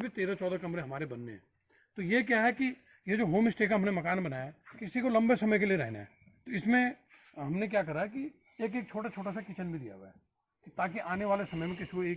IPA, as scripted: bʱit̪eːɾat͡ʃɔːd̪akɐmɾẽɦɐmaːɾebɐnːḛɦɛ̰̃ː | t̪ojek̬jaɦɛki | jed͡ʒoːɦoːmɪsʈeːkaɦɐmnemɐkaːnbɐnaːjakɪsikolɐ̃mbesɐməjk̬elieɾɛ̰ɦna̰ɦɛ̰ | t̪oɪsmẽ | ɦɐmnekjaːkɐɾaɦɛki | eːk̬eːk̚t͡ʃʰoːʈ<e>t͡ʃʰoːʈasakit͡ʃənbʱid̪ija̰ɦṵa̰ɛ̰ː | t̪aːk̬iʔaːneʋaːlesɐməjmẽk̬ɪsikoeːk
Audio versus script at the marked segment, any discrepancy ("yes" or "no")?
yes